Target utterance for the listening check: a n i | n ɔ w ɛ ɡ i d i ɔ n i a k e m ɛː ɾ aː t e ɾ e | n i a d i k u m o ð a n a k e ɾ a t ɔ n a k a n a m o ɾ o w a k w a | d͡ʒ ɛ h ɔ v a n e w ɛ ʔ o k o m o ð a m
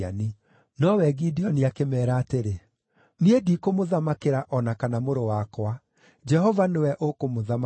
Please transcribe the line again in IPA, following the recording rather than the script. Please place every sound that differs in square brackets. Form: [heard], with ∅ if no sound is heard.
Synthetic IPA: a n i | n ɔ w ɛ ɡ i d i ɔ n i a k e m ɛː ɾ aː t e ɾ e | n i [e] d i k [o] m o ð a [m] a k e ɾ a [ʔ] ɔ n a k a n a m o ɾ o w a k w a | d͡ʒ ɛ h ɔ v a n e w ɛ ʔ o k o m o ð a m

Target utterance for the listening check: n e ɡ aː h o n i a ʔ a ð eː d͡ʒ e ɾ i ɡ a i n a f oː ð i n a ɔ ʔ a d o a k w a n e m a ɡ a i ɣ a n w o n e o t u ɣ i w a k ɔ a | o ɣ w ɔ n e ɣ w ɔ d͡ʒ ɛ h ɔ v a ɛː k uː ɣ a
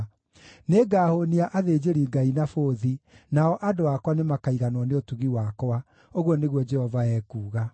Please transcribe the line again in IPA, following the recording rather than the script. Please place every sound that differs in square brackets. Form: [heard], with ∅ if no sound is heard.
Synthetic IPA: n e ɡ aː h o n i a ʔ a ð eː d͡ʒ e ɾ i ɡ a i n a f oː ð i n a ɔ ʔ a d o a k w a n e m a [k] a i ɣ a n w [ɔ] n e o t u ɣ i w a k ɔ a | o ɣ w ɔ n e ɣ w ɔ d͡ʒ ɛ h ɔ v a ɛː k uː ɣ a

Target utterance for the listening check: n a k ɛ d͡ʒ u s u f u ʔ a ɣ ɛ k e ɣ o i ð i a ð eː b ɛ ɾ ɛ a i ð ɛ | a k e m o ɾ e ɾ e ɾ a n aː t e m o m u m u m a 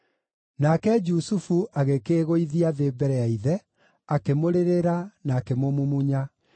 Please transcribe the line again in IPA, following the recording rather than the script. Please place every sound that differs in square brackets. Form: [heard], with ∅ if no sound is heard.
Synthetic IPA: n a k ɛ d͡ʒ u s u f u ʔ a ɣ [e] k e ɣ o i ð i a ð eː b ɛ ɾ ɛ a i ð ɛ | a k e m o ɾ e ɾ e ɾ a n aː [k] e m o m u m u [ɲ] a

